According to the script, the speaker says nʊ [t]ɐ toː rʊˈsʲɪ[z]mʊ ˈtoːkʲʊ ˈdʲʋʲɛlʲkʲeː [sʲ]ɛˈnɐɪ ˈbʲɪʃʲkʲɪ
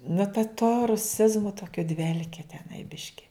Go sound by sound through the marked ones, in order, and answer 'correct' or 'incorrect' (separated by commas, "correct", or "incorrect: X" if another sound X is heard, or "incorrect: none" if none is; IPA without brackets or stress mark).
correct, correct, incorrect: tʲ